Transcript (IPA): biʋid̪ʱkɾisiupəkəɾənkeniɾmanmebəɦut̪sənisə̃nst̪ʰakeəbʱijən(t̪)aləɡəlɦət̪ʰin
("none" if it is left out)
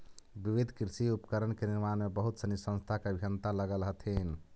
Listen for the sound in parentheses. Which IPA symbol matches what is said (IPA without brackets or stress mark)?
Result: t̪